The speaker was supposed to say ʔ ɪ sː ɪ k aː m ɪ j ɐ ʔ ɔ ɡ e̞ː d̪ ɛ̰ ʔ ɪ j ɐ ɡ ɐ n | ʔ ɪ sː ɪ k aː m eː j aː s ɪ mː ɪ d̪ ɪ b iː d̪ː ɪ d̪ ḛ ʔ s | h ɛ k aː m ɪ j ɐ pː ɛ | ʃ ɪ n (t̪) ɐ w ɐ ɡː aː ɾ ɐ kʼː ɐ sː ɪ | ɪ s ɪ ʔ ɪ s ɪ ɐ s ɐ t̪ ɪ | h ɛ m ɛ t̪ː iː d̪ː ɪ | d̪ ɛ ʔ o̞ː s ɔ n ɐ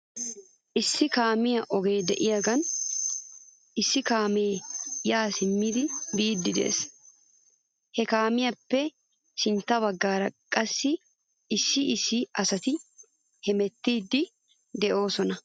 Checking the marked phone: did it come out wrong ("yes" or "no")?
no